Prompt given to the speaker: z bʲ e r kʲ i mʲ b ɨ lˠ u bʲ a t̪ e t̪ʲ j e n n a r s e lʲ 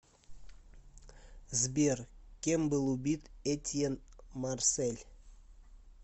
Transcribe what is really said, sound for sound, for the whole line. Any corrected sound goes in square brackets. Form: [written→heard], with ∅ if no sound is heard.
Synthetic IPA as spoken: z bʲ e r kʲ [i→e] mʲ b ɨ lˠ u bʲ [a→i] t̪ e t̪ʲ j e n [n→m] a r s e lʲ